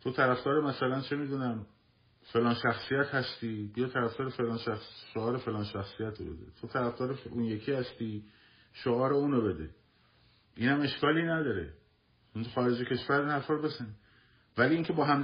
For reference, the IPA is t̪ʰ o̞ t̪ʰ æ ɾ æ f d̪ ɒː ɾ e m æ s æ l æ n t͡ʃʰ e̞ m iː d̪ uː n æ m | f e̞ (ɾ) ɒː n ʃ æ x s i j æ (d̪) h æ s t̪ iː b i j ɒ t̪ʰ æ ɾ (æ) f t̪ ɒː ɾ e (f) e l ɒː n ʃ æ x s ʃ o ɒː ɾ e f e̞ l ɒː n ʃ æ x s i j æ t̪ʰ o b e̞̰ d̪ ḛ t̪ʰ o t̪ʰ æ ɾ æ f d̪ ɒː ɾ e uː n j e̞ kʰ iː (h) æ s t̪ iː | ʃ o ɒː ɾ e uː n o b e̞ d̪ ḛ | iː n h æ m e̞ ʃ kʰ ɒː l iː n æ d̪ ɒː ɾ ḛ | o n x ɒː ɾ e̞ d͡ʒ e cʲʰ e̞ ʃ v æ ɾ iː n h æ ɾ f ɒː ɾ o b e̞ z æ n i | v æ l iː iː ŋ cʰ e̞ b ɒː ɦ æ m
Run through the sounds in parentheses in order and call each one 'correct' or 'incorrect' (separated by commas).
incorrect, incorrect, correct, correct, correct